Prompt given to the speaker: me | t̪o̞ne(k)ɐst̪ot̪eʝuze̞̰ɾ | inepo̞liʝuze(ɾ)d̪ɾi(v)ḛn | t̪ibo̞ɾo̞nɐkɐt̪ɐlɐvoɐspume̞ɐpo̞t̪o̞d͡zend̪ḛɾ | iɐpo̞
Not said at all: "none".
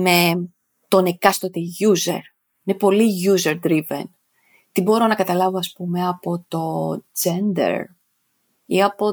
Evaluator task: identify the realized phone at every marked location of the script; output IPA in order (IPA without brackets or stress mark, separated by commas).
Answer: k, ɾ, v